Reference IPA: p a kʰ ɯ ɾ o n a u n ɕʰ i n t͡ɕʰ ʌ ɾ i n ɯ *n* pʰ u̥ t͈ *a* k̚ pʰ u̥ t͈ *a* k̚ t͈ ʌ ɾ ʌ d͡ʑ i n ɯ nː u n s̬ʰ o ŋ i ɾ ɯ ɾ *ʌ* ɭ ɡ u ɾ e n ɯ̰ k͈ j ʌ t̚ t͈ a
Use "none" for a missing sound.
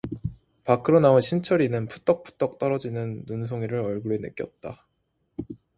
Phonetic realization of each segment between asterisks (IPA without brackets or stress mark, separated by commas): n, ʌ, ʌ, ʌ